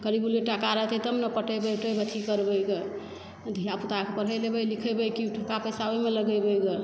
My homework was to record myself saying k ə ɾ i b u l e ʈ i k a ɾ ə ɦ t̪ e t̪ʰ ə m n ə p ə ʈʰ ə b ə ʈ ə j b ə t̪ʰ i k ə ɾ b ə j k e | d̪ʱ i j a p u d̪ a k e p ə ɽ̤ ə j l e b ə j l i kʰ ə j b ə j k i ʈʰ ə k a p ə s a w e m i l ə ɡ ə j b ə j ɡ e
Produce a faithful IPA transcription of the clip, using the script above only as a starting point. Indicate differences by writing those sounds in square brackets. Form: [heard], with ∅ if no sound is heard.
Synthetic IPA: k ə ɾ i b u l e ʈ [a] k a ɾ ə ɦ t̪ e [t̪] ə m n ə p ə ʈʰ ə b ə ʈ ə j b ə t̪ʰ i k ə ɾ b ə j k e | d̪ʱ i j a p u [t̪] a k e p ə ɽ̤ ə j l e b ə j l i kʰ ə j b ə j k i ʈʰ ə k a p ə s a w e m [e] l ə ɡ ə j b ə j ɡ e